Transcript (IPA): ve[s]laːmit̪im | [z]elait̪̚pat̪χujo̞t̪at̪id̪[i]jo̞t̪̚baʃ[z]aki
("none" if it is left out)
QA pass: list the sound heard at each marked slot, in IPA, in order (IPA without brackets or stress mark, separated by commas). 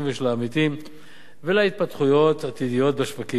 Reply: ʃ, v, i, v